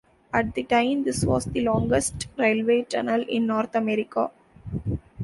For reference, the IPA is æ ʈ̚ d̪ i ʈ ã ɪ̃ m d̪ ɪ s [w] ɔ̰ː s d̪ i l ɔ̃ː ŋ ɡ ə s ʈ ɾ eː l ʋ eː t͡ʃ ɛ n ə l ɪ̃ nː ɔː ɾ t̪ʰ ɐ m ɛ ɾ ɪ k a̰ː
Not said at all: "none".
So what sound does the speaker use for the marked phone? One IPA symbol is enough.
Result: ʋ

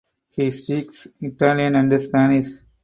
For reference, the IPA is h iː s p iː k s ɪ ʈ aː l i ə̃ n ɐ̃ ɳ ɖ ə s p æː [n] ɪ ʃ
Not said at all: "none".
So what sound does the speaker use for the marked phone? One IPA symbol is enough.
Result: n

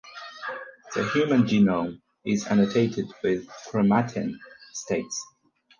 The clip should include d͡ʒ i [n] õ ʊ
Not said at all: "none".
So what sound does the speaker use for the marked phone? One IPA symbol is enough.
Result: n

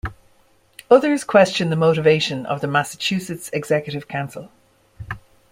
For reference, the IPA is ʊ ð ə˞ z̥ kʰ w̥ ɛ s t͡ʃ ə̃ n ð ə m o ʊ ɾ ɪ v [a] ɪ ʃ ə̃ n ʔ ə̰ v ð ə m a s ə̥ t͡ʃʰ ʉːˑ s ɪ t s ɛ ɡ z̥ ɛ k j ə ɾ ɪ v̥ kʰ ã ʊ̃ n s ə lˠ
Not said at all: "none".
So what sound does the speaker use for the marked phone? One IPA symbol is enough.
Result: e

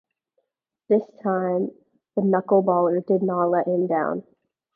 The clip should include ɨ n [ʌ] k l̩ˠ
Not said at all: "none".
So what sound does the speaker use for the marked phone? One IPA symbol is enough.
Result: ʌ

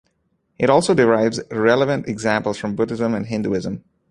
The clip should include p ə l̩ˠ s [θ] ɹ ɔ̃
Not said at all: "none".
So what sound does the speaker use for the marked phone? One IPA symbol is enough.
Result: f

